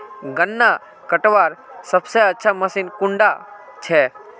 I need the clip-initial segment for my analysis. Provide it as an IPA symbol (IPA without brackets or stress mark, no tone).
ɡ